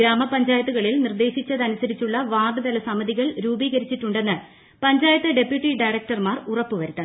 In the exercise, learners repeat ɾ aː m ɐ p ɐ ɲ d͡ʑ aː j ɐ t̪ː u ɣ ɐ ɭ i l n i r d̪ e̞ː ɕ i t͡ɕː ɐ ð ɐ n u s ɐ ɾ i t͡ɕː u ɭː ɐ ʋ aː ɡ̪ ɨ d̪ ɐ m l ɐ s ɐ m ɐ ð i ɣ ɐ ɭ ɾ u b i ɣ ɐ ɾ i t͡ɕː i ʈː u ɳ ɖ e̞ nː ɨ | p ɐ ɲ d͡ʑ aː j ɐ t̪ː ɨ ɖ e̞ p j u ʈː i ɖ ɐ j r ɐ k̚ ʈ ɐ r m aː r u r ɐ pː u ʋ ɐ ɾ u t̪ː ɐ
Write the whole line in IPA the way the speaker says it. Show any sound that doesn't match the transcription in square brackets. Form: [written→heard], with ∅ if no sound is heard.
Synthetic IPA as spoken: ɾ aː m ɐ p ɐ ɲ d͡ʑ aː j ɐ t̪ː u ɣ ɐ ɭ i l n i r d̪ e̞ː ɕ i t͡ɕː ɐ ð ɐ n u s ɐ ɾ i t͡ɕː u ɭː ɐ ʋ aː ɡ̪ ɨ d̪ ɐ [m→∅] l ɐ s ɐ m ɐ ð i ɣ ɐ ɭ ɾ [u→uː] b [i→iː] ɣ ɐ ɾ i t͡ɕː i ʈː u ɳ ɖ e̞ nː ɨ | p ɐ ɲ d͡ʑ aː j ɐ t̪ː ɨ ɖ e̞ p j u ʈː i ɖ ɐ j r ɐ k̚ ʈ ɐ r m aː r u r ɐ pː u ʋ ɐ ɾ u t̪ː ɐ